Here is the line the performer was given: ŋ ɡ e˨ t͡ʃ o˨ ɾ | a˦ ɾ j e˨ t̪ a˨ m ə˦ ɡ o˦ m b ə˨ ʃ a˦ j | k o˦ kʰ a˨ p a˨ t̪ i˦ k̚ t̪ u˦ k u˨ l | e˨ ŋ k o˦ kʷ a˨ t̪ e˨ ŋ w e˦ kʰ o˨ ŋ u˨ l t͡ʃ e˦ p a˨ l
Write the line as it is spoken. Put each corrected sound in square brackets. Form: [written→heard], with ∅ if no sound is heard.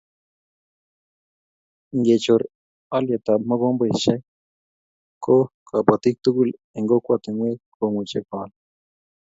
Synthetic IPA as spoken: ŋ ɡ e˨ t͡ʃ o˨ ɾ | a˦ [ɾ→l] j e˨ t̪ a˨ m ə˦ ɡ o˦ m b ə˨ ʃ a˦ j | k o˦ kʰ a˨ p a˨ t̪ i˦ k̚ t̪ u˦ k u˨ l | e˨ ŋ [k→ɡ] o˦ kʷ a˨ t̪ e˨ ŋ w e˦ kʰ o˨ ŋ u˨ [l→∅] t͡ʃ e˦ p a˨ l